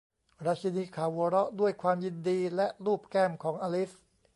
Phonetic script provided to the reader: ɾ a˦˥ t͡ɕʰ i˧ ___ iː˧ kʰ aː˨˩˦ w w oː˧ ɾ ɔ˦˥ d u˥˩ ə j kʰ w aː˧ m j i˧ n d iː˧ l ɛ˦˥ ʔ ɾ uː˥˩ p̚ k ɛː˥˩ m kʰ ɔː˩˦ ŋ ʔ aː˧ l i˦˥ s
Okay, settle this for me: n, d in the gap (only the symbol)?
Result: n